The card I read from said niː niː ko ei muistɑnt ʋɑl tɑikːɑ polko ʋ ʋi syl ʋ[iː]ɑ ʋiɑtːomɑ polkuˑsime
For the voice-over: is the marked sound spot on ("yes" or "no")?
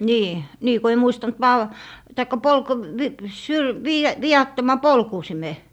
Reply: yes